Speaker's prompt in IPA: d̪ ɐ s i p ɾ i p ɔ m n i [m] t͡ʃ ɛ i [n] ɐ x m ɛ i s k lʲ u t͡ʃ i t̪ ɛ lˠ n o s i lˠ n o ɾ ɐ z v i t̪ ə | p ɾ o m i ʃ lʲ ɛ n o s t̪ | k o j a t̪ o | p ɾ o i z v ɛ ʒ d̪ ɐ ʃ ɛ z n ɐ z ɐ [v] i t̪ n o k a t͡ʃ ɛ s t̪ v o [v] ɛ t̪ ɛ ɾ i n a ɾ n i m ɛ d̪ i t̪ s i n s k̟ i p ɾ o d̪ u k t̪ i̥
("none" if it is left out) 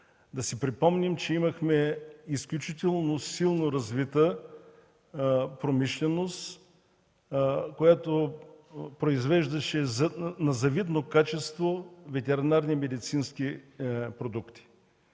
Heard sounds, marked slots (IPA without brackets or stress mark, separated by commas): m, m, v, v